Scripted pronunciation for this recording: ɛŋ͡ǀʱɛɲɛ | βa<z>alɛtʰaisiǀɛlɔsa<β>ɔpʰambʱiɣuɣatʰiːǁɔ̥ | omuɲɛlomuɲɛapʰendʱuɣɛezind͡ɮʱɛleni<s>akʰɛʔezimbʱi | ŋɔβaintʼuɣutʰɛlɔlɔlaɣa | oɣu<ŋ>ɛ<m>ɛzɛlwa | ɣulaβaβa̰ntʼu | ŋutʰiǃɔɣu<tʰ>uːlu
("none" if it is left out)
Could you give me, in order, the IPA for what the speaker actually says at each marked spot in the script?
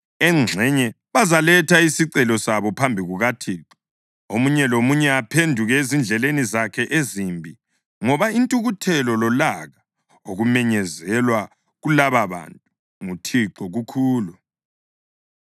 z, β, z, m, ɲ, kʰ

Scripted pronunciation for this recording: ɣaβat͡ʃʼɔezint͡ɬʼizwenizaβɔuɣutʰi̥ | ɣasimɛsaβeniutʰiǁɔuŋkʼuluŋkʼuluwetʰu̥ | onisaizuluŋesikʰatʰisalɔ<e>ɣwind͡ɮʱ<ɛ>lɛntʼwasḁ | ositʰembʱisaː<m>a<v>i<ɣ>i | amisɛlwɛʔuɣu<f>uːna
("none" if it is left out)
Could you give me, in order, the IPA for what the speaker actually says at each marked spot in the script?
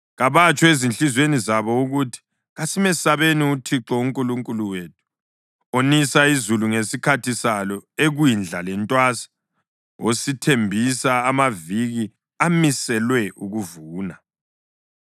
e, a, m, v, ɣ, v

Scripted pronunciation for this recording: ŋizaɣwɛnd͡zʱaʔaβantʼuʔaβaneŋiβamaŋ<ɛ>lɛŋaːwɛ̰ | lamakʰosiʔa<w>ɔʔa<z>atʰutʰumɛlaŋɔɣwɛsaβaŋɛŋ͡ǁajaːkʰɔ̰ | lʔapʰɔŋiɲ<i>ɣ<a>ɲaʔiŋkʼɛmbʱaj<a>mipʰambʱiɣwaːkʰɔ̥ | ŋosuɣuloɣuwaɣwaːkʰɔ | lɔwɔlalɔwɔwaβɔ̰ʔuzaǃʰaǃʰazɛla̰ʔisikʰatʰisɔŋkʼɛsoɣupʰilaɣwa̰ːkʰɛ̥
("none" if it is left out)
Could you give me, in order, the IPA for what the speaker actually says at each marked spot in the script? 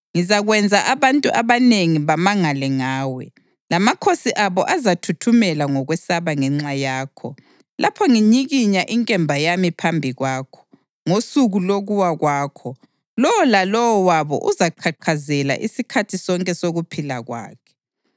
a, β, z, i, i, a

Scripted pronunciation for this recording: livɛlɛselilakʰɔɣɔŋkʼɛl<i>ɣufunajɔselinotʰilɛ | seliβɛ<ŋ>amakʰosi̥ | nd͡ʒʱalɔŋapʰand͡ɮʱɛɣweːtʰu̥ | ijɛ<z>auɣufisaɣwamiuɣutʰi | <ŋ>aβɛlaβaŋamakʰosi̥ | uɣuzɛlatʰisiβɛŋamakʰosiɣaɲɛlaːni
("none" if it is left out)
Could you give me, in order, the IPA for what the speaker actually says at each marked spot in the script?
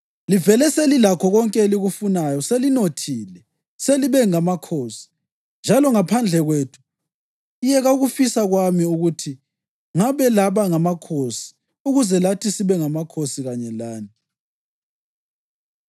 i, ŋ, ɣ, ŋ

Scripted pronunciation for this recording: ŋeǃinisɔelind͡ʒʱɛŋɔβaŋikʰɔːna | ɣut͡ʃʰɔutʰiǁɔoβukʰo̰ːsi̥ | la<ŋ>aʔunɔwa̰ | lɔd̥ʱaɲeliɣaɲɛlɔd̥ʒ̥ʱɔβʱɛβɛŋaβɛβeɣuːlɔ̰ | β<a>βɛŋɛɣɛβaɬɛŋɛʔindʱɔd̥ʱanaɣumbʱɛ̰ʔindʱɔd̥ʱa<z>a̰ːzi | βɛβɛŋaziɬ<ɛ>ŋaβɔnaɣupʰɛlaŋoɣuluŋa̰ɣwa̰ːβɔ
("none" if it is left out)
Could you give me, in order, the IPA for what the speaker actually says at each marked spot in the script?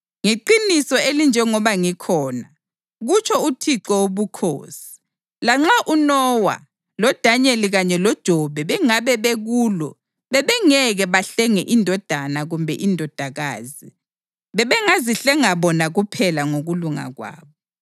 ŋ͡ǁ, ɛ, ɣ, ɛ

